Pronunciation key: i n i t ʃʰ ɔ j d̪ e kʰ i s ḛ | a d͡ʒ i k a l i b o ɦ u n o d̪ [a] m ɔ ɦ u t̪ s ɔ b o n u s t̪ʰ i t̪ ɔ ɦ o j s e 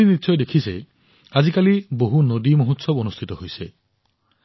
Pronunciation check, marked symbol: incorrect: i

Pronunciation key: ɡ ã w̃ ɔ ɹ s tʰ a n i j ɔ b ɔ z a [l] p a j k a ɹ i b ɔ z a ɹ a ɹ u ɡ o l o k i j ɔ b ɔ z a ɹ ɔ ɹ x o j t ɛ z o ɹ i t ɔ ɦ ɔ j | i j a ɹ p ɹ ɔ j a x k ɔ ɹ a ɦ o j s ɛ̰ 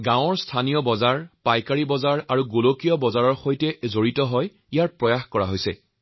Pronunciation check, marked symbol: incorrect: ɹ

